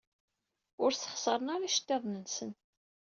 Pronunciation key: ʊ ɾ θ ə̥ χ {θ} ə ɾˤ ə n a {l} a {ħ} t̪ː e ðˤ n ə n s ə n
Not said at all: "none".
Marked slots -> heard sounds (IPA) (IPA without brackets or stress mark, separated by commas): s, ɾ, ʃ